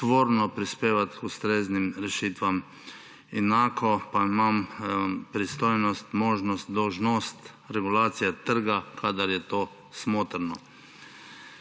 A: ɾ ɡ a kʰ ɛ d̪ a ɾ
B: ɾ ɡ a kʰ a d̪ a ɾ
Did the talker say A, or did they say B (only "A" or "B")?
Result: B